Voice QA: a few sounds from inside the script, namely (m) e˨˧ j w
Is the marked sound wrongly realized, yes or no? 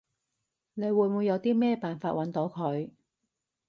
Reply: yes